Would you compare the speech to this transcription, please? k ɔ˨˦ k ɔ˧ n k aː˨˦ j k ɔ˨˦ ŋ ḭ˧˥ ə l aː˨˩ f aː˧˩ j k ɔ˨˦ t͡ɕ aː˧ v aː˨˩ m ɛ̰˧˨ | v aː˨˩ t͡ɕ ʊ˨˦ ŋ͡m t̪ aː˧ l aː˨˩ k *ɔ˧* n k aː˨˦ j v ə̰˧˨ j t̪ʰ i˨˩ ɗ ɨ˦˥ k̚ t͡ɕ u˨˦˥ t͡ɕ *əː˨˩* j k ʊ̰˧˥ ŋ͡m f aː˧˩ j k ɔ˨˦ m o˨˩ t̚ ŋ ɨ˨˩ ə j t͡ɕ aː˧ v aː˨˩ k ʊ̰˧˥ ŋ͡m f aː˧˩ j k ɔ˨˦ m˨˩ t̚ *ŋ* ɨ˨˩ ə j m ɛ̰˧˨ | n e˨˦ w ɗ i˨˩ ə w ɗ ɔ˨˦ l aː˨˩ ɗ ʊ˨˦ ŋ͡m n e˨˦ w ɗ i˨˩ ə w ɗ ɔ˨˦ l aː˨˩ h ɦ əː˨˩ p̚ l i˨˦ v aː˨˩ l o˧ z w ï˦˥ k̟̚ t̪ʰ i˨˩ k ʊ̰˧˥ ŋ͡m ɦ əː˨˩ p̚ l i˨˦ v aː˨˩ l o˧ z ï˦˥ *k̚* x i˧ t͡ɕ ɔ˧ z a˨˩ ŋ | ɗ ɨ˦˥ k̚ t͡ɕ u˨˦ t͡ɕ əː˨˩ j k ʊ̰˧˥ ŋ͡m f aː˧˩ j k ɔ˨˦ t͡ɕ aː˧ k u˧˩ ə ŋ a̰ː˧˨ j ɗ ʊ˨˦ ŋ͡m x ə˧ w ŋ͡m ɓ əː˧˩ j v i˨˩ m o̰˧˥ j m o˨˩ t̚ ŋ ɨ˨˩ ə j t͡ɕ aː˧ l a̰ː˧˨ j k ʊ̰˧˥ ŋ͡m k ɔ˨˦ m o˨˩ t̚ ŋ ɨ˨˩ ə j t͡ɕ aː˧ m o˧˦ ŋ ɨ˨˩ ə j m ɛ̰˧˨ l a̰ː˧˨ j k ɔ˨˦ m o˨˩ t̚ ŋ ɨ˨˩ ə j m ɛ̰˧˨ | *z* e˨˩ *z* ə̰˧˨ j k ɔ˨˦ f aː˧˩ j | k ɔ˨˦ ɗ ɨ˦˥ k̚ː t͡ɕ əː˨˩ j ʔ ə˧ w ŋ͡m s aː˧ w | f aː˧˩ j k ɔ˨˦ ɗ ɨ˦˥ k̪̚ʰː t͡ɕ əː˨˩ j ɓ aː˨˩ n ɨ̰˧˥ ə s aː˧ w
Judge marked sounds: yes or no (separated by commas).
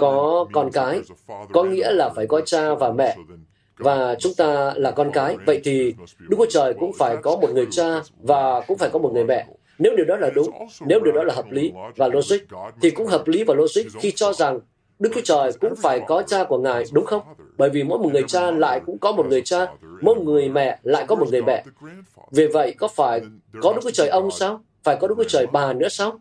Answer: yes, yes, yes, yes, no, no